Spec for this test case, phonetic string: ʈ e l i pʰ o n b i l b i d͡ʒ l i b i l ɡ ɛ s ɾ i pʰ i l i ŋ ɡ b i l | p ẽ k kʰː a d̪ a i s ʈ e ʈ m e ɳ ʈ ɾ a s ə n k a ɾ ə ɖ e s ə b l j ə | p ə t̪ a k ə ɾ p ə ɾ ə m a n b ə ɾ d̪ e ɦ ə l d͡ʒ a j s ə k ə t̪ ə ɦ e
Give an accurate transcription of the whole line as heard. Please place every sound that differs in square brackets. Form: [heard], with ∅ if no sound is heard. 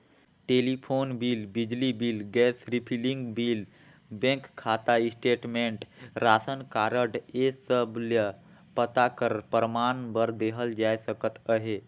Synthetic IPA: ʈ e l i pʰ o n b i l b i d͡ʒ l i b i l ɡ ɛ s ɾ i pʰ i l i ŋ ɡ b i l | [b] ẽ k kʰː a [t̪] a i s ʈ e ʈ m e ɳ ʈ ɾ a s ə n k a ɾ ə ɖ e s ə b l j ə | p ə t̪ a k ə ɾ p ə ɾ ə m a n b ə ɾ d̪ e ɦ ə l d͡ʒ a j s ə k ə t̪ ə ɦ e